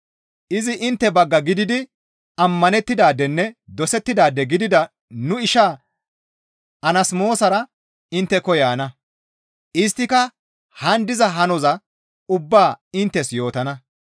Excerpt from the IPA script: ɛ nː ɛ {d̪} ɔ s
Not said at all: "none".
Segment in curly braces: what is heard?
d̪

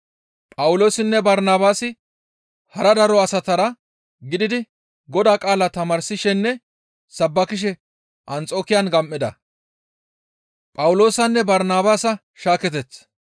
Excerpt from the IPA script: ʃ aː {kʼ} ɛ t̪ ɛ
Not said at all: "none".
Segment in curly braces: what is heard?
k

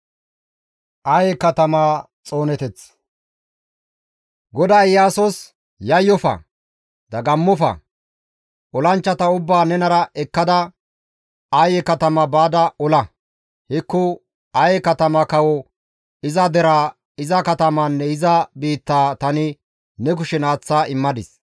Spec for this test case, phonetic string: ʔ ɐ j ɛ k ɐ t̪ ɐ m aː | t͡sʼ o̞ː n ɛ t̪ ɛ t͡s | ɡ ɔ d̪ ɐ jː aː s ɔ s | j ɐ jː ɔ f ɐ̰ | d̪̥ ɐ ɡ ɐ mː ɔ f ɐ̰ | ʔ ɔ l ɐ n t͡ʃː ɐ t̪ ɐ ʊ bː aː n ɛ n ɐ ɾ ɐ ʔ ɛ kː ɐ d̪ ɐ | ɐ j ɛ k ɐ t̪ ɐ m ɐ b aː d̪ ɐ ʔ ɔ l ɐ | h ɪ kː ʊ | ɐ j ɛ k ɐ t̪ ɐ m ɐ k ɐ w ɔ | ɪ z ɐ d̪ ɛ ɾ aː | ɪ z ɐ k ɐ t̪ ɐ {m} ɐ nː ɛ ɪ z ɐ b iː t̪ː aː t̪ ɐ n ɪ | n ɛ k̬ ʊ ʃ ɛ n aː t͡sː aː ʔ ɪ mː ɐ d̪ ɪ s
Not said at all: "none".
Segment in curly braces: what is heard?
m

